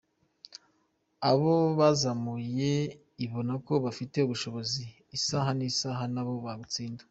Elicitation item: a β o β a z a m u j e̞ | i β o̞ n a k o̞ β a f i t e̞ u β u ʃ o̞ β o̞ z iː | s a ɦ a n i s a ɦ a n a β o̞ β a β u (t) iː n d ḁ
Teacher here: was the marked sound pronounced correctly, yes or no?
no